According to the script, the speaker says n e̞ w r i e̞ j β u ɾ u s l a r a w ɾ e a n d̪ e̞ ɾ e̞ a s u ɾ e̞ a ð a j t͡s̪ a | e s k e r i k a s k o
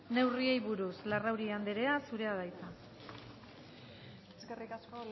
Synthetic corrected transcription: n e̞ w r i e̞ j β u ɾ u s l a r a w ɾ i a n d̪ e̞ ɾ e̞ a s u ɾ e̞ a ð a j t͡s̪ a | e s k e r i k a s k o